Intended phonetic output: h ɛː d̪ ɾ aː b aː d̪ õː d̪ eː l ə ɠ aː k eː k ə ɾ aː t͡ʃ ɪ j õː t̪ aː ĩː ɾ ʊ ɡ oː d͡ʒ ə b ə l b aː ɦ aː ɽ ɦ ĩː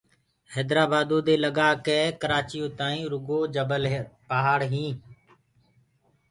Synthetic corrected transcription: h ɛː d̪ ɾ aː b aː d̪ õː d̪ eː l ə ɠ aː k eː k ə ɾ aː t͡ʃ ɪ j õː t̪ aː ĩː ɾ ʊ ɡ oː d͡ʒ ə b ə l p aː ɦ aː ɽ ɦ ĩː